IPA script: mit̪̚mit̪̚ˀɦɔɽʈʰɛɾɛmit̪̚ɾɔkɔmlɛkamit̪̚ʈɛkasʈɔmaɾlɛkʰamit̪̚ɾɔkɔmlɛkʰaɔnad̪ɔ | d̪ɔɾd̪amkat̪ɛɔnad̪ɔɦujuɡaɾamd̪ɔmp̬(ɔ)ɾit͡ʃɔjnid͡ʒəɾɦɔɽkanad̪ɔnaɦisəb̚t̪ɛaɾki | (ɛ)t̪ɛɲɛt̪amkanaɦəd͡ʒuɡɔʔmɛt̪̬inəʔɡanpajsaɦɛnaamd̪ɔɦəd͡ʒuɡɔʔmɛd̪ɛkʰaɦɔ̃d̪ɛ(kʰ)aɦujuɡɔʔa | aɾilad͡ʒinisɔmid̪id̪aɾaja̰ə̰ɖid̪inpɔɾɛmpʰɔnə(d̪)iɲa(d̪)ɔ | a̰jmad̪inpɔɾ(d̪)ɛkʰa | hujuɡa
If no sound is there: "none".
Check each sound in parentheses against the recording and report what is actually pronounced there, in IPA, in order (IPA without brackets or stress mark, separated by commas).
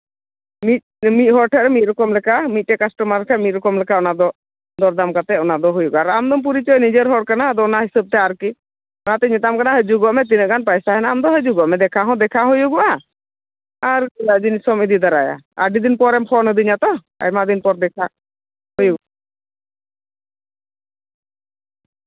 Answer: u, a, kʰ, d̪, t̪, d̪